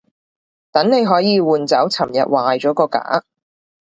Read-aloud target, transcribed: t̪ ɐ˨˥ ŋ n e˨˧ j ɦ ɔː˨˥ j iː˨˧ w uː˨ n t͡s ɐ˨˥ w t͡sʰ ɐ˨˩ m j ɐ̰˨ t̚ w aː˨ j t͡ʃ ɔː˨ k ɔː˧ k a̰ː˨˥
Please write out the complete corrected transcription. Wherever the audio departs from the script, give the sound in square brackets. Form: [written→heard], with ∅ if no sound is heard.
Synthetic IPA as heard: t̪ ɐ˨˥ ŋ n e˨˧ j ɦ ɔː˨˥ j iː˨˧ w uː˨ n t͡s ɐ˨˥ w t͡sʰ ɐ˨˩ m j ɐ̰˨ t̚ w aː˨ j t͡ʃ [ɔː˨→ɔː˨˥] k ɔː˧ k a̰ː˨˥